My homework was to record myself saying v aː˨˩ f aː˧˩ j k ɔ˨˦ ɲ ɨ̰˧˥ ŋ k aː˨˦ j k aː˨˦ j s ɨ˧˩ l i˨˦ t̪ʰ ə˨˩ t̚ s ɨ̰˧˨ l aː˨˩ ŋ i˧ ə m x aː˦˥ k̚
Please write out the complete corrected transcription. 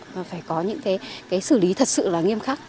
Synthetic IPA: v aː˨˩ f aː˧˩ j k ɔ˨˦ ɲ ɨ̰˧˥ ŋ k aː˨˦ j k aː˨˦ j s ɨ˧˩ l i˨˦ t̪ʰ ə˨˩ t̚ s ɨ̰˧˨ l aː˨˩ ŋ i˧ ə m x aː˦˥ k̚